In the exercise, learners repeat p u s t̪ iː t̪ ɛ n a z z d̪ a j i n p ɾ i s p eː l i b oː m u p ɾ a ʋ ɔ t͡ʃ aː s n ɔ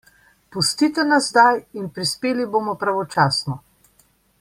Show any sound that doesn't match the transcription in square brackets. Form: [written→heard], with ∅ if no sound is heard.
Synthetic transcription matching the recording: p u s t̪ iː t̪ ɛ n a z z d̪ a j i n p ɾ i s p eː l i b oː m [u→ɔ] p ɾ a ʋ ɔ t͡ʃ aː s n ɔ